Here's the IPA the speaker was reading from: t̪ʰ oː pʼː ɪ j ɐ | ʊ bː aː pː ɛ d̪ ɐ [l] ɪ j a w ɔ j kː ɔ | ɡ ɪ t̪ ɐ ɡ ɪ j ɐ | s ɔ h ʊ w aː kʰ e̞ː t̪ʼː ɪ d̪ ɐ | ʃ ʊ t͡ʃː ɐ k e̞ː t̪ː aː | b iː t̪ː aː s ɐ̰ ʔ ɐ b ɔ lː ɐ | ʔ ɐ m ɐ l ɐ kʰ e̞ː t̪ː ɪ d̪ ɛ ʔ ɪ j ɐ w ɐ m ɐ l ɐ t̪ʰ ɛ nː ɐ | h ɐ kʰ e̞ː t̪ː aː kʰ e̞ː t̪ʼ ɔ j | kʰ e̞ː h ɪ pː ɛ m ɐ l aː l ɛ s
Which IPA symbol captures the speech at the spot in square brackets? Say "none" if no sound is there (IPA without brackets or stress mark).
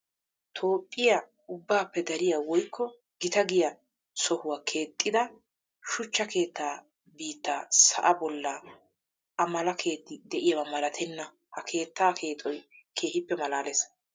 ɾ